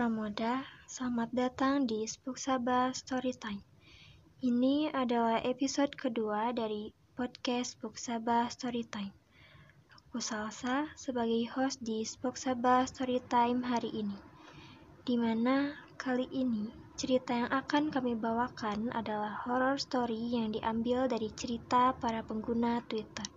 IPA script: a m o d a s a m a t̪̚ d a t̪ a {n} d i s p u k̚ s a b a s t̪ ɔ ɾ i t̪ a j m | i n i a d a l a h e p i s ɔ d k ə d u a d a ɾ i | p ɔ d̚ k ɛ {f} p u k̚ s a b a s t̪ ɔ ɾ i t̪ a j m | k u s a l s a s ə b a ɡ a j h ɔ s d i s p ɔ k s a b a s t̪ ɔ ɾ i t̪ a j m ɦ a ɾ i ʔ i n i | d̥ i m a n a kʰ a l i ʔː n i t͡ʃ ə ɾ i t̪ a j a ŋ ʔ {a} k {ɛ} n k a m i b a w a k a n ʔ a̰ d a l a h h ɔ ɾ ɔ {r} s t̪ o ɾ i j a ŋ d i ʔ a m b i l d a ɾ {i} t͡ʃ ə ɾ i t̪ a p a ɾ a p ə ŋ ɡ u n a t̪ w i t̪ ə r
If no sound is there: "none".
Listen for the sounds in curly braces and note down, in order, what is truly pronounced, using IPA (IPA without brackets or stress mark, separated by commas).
ŋ, s, a, a, r, i